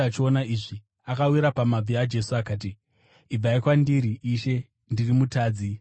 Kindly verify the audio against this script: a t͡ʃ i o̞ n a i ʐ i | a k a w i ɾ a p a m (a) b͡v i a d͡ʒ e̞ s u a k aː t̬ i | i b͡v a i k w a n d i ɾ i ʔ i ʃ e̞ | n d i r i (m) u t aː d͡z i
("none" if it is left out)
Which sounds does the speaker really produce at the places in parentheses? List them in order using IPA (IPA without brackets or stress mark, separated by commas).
a, m